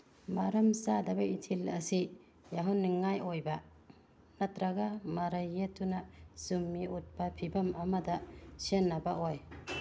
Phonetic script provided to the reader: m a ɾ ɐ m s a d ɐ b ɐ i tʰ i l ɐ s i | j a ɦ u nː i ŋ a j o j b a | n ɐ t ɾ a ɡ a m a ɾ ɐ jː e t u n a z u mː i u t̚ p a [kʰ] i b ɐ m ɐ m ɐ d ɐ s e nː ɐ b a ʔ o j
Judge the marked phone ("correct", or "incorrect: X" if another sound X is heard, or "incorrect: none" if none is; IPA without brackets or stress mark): incorrect: pʰ